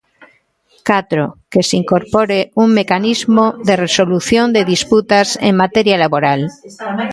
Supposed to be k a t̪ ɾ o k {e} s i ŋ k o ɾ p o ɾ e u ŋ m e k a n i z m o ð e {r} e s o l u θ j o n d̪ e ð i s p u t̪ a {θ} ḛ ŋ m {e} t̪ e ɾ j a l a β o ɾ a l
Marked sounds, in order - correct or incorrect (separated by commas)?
correct, correct, incorrect, incorrect